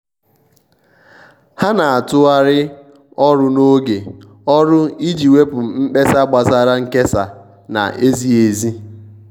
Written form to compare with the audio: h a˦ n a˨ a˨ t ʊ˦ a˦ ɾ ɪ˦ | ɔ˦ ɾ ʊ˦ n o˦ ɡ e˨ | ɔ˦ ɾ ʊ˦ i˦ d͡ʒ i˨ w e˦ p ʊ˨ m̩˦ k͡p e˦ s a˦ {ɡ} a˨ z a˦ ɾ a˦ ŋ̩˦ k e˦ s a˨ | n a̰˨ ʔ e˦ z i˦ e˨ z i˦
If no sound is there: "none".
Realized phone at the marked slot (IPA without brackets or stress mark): ɡ͡b